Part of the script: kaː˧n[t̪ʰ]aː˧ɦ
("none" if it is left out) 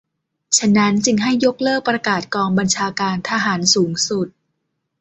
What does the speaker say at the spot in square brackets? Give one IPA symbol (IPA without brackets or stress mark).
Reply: t̪ʰ